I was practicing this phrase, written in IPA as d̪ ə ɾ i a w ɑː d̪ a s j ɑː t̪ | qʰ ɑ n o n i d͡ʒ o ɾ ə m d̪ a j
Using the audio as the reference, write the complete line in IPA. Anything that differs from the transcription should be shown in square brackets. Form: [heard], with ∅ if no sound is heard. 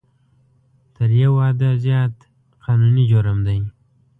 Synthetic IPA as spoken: [t̪] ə ɾ [j] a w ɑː d̪ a [z] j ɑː t̪ | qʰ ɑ n [u] n i d͡ʒ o ɾ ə m d̪ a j